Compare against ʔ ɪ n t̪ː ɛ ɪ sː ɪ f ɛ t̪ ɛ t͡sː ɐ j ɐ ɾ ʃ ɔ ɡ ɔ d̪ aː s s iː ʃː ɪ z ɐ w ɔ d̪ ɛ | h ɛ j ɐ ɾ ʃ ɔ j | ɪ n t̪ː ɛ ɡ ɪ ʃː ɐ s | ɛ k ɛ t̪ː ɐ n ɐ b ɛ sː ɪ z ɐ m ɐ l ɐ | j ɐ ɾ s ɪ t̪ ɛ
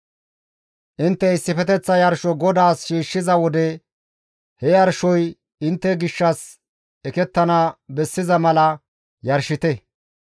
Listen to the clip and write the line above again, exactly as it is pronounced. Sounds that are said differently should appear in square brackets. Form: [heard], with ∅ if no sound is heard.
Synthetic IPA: ʔ ɪ n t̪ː ɛ ɪ sː ɪ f ɛ t̪ ɛ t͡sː ɐ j ɐ ɾ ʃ ɔ ɡ ɔ d̪ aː s [ʃ] iː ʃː ɪ z ɐ w ɔ d̪ ɛ | h ɛ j ɐ ɾ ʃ ɔ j | ɪ n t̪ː ɛ ɡ ɪ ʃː ɐ s | ɛ k ɛ t̪ː ɐ n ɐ b ɛ sː ɪ z ɐ m ɐ l ɐ | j ɐ ɾ [ʃ] ɪ t̪ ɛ